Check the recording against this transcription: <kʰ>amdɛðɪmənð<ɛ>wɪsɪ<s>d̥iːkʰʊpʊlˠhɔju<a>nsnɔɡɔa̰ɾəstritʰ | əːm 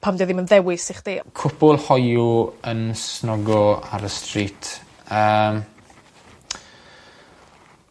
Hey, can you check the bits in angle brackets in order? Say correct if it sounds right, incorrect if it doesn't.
incorrect: pʰ, correct, incorrect: χ, incorrect: ə

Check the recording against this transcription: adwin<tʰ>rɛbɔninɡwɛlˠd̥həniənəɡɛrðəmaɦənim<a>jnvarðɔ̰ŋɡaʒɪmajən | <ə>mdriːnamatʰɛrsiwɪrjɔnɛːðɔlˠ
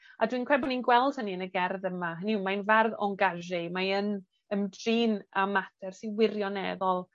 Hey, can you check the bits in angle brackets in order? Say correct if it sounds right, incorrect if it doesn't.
incorrect: kʰ, correct, correct

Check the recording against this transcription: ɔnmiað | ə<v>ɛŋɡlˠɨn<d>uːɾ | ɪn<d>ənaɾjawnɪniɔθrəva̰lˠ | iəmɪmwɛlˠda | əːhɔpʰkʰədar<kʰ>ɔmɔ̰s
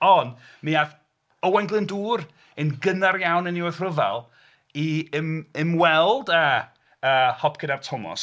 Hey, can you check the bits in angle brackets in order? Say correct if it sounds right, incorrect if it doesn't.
incorrect: w, correct, incorrect: ɡ, incorrect: tʰ

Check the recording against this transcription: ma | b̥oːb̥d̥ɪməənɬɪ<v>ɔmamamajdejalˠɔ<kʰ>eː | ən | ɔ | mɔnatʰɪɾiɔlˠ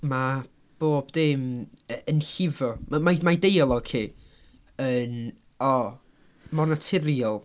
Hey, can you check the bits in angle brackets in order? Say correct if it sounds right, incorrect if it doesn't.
correct, correct

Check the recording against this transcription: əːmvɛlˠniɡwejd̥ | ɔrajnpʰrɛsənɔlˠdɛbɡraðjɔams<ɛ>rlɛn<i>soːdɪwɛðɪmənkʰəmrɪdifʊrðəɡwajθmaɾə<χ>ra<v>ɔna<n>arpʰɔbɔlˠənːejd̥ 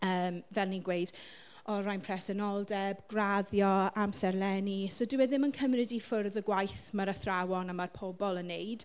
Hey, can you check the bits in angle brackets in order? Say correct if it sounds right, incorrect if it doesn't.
correct, correct, incorrect: θ, incorrect: w, incorrect: m

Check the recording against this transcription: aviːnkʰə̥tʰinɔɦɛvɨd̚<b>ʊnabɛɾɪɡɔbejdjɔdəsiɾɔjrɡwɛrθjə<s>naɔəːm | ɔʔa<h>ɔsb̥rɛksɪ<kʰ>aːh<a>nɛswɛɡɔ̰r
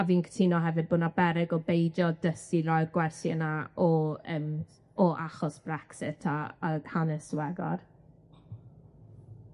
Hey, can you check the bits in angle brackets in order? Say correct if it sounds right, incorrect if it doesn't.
correct, incorrect: none, incorrect: χ, incorrect: tʰ, correct

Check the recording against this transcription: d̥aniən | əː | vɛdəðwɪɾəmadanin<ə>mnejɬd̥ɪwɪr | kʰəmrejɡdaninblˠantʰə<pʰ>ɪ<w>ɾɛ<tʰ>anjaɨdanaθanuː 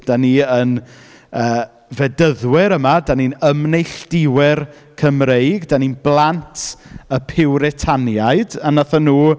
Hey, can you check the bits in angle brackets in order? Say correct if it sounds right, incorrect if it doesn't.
correct, correct, correct, correct

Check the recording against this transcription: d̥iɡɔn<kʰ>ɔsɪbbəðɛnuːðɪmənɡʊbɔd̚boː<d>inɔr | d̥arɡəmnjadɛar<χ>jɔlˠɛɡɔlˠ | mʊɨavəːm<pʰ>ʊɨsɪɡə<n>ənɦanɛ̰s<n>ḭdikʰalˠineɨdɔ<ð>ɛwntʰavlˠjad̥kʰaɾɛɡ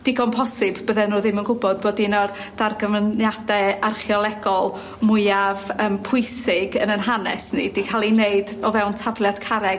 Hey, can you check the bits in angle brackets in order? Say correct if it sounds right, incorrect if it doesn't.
incorrect: pʰ, correct, correct, correct, correct, correct, incorrect: v

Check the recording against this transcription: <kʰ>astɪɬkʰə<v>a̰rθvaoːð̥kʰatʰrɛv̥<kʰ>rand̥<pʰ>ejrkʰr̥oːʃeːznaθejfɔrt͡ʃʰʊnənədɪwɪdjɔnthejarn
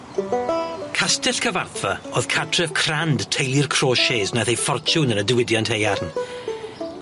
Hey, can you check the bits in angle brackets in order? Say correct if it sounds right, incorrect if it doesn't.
correct, correct, correct, incorrect: tʰ

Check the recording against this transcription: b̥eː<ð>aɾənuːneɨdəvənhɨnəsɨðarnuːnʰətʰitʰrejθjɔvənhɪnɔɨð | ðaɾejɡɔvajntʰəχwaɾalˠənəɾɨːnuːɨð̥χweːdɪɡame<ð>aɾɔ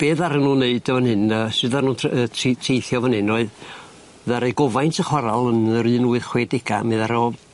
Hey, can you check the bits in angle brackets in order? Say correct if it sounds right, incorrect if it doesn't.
correct, correct

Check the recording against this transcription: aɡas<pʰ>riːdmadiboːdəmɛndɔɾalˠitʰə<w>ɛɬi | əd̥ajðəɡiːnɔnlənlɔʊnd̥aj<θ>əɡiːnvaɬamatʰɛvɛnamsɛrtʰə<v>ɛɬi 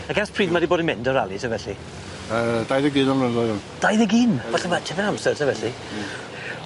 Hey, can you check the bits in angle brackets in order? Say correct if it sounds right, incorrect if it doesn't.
correct, incorrect: v, incorrect: ð, correct

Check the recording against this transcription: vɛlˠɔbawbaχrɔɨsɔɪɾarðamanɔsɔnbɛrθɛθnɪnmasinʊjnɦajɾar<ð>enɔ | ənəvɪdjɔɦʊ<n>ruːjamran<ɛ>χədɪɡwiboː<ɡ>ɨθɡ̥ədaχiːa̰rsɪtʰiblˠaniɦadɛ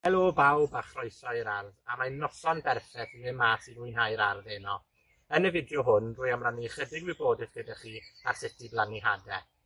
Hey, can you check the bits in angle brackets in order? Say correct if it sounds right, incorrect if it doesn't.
correct, correct, incorrect: i, incorrect: d

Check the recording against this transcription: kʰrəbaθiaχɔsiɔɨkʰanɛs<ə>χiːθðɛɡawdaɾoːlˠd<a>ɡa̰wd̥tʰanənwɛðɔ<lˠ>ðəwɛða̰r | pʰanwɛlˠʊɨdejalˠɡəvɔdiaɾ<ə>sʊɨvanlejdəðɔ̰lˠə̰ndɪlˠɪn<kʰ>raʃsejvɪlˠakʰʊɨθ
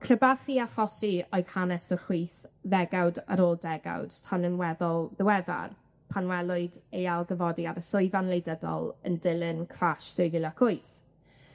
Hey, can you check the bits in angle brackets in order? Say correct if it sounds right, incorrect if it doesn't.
correct, incorrect: ɛ, correct, correct, correct

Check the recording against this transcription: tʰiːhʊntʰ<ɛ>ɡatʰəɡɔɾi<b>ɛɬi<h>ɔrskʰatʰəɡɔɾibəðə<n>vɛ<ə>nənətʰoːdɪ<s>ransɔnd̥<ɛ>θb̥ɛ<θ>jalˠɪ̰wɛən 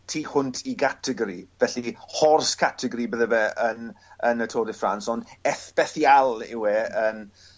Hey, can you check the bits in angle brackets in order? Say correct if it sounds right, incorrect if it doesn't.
incorrect: i, incorrect: v, correct, incorrect: none, correct, incorrect: f, correct, correct

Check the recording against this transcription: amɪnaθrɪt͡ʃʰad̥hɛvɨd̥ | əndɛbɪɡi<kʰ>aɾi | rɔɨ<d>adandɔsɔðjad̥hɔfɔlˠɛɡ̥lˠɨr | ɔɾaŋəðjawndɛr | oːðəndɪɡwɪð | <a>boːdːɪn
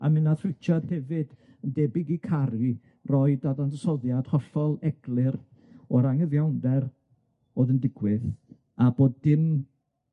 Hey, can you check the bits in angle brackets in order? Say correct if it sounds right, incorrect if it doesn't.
correct, correct, correct

